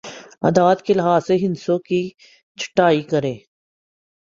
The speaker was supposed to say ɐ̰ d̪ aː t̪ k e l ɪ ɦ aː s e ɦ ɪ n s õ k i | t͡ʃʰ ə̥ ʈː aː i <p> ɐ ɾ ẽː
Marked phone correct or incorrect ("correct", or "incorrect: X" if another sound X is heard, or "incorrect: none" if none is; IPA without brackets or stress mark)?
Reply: incorrect: k